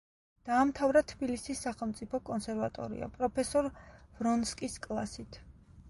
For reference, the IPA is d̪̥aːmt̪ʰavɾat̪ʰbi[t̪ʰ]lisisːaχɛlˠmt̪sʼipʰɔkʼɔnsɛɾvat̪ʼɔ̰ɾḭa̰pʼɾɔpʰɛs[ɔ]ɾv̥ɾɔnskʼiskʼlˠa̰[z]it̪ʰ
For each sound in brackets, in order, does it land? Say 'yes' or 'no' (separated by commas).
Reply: no, yes, no